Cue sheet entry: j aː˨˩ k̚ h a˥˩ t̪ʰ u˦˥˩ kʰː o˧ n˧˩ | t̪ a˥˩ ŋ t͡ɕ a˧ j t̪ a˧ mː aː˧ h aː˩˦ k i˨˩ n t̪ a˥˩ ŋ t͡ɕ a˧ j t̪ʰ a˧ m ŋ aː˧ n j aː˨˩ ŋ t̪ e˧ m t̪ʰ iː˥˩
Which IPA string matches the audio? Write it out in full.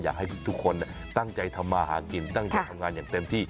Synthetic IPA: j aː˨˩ k̚ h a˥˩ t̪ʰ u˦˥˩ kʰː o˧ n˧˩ | t̪ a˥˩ ŋ t͡ɕ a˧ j t̪ʰ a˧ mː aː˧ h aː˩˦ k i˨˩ n t̪ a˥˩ ŋ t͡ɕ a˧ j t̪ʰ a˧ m ŋ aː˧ n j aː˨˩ ŋ t̪ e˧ m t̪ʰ iː˥˩